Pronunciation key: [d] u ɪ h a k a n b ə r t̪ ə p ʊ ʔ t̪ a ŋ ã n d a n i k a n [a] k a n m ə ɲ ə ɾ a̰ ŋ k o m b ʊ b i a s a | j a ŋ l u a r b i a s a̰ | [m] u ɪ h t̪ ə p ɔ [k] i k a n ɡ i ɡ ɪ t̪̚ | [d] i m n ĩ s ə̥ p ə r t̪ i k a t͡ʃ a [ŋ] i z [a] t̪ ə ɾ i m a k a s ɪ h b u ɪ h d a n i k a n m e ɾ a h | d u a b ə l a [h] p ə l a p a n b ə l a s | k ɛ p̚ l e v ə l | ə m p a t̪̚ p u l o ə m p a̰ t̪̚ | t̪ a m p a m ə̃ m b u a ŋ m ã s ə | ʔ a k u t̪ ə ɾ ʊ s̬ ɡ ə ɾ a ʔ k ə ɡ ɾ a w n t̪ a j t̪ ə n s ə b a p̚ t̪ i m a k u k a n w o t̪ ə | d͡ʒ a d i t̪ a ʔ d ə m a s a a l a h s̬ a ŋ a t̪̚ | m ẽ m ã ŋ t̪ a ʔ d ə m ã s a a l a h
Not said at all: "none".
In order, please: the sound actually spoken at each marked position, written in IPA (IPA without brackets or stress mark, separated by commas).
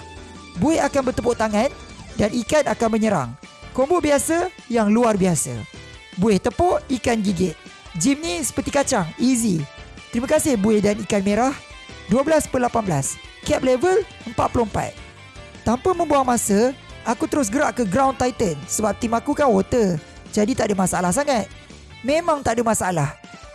b, a, b, ʔ, d͡ʒ, ŋ, i, s